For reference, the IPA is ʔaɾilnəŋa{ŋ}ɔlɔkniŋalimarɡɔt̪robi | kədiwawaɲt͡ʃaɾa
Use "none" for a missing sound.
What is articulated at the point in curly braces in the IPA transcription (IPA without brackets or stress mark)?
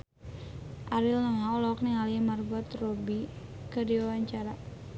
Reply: none